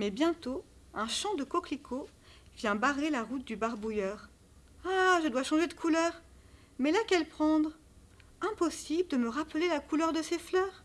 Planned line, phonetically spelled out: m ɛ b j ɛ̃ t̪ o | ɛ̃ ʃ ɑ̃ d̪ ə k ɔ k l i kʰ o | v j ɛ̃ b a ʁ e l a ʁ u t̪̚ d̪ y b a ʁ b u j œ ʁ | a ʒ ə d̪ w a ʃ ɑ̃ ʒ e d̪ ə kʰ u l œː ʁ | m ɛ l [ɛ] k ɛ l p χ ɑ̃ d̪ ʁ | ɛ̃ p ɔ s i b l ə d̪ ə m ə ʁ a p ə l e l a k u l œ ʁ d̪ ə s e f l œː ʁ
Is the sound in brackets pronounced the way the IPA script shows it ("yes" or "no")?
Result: no